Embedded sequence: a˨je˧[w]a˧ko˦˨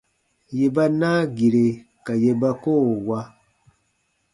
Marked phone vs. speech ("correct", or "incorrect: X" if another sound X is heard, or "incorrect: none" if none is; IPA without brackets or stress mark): incorrect: b